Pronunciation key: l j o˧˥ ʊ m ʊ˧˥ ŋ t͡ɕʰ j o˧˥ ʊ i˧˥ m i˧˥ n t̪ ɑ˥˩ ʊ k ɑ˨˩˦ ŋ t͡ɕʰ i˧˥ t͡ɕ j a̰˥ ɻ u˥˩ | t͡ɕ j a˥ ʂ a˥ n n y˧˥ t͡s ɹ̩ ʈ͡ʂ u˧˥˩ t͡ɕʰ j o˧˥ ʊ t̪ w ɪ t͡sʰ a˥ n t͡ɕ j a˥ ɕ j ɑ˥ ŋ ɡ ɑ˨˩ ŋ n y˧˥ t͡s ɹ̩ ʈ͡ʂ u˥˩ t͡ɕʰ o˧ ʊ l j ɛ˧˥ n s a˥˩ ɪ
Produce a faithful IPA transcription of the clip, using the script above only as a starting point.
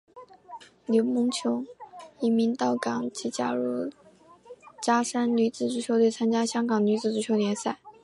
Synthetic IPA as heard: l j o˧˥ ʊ m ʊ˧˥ ŋ t͡ɕʰ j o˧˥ ʊ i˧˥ m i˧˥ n t̪ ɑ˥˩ ʊ k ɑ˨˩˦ ŋ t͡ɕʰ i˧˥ t͡ɕ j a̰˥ ɻ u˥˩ | t͡ɕ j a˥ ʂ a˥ n n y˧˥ t͡s ɹ̩ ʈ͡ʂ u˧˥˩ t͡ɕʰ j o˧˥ ʊ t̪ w ɪ t͡sʰ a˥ n t͡ɕ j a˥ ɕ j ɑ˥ ŋ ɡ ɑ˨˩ ŋ n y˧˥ t͡s ɹ̩ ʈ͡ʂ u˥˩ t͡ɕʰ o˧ ʊ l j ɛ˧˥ n s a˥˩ ɪ